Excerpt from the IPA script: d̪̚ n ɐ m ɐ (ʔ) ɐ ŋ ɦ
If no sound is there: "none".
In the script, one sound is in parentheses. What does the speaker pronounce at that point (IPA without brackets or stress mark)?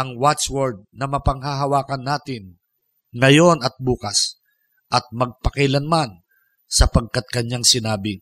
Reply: p